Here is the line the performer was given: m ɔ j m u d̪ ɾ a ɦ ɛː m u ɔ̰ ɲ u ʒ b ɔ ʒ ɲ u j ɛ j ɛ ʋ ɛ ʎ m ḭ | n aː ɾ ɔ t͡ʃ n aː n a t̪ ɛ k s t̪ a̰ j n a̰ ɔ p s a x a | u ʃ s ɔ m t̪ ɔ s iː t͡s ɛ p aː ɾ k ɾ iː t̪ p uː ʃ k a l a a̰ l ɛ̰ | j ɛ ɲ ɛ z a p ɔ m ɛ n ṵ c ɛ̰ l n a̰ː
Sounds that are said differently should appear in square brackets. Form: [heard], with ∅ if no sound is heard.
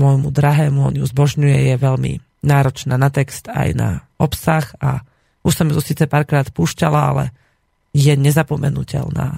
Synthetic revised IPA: m ɔ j m u d̪ ɾ a ɦ ɛː m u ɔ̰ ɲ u [z] b ɔ ʒ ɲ u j ɛ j ɛ ʋ ɛ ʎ m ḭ | n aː ɾ ɔ t͡ʃ n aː n a t̪ ɛ k s t̪ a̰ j n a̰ ɔ p s a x a | u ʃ s ɔ m t̪ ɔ s iː t͡s ɛ p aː ɾ k ɾ [aː] t̪ p uː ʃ [c] a l a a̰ l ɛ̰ | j ɛ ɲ ɛ z a p ɔ m ɛ n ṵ c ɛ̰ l n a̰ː